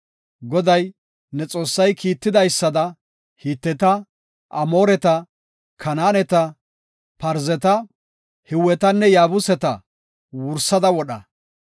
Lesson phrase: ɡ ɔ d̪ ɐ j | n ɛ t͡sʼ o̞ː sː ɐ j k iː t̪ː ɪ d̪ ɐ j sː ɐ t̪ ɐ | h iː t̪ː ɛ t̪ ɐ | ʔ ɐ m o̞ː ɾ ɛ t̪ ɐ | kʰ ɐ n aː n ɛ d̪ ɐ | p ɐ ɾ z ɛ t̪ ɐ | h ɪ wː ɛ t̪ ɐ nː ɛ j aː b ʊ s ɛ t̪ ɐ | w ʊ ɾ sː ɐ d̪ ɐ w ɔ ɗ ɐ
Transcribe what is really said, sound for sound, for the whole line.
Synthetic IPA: ɡ ɔ d̪ ɐ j | n ɛ t͡sʼ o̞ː sː ɐ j k iː t̪ː ɪ d̪ ɐ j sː ɐ d̪ ɐ | h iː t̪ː ɛ t̪ ɐ | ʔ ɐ m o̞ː ɾ ɛ t̪ ɐ | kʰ ɐ n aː n ɛ t̪ ɐ | p ɐ ɾ z ɛ t̪ ɐ | h ɪ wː ɛ t̪ ɐ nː ɛ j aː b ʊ s ɛ t̪ ɐ | w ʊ ɾ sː ɐ d̪ ɐ w ɔ ɗ ɐ